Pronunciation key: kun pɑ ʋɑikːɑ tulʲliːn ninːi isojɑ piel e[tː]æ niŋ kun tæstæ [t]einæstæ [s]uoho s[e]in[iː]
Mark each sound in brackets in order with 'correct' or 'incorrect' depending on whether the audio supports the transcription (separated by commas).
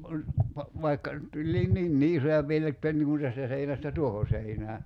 correct, incorrect, incorrect, correct, incorrect